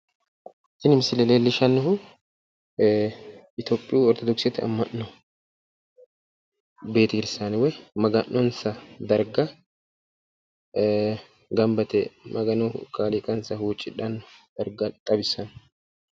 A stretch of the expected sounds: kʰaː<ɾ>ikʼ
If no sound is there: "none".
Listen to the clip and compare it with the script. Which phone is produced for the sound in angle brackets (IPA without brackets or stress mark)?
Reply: l